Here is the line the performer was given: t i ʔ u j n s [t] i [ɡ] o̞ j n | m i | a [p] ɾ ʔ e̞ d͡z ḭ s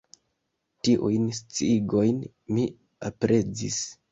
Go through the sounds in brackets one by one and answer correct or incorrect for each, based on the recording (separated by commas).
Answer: incorrect, correct, correct